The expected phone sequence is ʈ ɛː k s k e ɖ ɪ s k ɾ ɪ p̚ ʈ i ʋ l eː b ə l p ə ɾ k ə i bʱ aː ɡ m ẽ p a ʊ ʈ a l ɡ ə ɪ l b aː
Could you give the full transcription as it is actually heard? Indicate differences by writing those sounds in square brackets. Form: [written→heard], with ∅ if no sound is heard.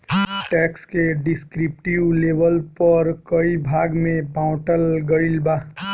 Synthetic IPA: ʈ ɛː k s k e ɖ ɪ s k ɾ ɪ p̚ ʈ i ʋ l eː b ə l p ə ɾ k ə i bʱ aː ɡ m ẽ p a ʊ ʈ [a→ə] l ɡ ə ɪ l b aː